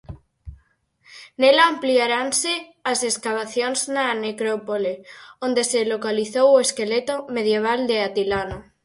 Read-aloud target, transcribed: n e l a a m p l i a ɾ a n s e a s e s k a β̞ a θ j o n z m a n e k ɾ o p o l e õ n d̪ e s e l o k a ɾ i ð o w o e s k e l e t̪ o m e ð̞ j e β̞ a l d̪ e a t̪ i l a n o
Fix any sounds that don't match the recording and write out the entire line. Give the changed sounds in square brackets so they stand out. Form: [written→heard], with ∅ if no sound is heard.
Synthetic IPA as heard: n e l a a m p l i a ɾ a n s e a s e s k a β̞ a θ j o n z [m→n] a n e k ɾ o p o l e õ n d̪ e s e l o k a [ɾ→l] i [ð→θ] o w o e s k e l e t̪ o m e ð̞ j e β̞ a l d̪ e a t̪ i l a n o